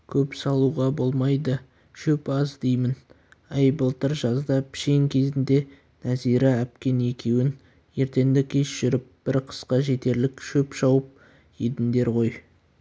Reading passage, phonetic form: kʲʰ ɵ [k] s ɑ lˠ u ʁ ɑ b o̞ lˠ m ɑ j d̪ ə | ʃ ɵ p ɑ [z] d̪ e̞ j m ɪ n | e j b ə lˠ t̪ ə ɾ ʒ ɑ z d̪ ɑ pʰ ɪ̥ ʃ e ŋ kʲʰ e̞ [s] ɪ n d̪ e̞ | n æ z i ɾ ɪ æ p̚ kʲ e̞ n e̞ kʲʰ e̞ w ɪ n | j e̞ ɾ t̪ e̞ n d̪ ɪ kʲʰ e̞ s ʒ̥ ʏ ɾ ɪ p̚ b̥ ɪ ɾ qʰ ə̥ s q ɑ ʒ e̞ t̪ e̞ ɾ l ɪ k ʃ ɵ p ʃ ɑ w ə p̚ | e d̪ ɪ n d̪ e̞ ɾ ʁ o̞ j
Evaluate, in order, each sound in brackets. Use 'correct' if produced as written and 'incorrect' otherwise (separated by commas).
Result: incorrect, correct, incorrect